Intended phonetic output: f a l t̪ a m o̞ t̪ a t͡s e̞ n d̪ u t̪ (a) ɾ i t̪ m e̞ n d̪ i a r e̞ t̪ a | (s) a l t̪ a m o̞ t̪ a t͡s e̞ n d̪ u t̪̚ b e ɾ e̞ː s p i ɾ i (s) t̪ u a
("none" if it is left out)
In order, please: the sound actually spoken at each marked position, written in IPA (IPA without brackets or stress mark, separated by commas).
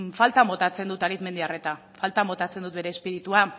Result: a, f, none